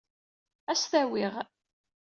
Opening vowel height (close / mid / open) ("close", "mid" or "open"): open